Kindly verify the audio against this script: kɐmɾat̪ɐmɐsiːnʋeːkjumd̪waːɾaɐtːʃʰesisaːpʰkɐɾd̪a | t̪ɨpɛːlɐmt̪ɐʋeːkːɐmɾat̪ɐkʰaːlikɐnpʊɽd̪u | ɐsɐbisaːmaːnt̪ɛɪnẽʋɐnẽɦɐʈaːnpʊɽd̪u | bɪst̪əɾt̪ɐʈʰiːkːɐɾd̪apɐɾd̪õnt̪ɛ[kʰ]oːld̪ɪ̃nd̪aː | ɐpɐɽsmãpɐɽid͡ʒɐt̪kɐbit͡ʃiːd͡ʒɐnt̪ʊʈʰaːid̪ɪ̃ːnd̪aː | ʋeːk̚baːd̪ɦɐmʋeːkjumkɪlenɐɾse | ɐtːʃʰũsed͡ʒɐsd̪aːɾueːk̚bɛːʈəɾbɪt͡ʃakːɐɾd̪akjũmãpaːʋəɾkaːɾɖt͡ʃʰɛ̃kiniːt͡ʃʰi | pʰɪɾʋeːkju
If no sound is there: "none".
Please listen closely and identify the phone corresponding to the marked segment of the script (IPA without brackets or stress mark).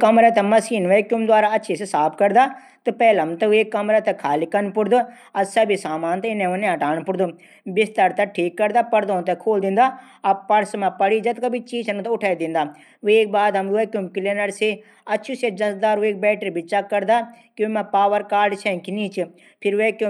kʰ